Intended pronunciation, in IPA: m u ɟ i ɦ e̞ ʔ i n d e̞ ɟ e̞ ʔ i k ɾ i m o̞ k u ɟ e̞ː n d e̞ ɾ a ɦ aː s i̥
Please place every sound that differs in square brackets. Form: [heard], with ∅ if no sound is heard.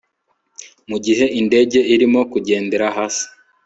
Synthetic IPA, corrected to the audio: m u ɟ i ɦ e̞ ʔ i n d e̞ ɟ e̞ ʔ i [∅] ɾ i m o̞ k u ɟ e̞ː n d e̞ ɾ a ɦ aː s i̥